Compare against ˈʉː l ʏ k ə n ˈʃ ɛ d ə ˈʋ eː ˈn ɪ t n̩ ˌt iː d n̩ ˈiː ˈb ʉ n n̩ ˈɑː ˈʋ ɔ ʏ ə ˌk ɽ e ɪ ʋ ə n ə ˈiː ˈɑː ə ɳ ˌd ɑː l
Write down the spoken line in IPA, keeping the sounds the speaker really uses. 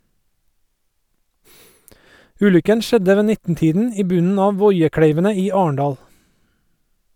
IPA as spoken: ˈʉː l ʏ k ə n ˈʃ ɛ d ə ˈʋ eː ˈn ɪ t n̩ ˌt iː d n̩ ˈiː ˈb ʉ n n̩ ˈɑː ˈʋ ɔ ʏ ə ˌk ɽ e ɪ ʋ ə n ə ˈiː ˈɑː ə ɳ ˌd ɑː l